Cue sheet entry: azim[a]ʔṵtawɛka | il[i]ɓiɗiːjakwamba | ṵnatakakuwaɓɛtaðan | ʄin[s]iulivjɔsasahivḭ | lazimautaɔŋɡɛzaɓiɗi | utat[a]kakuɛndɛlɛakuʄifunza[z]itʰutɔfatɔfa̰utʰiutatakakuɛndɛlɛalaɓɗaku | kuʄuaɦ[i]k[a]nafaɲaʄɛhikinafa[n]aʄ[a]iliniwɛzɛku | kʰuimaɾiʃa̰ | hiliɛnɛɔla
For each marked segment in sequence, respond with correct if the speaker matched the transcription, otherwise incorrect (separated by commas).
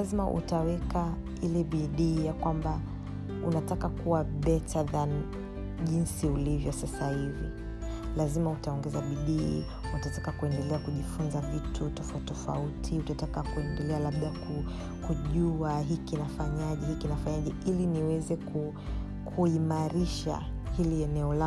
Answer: correct, incorrect, correct, correct, incorrect, correct, incorrect, incorrect, incorrect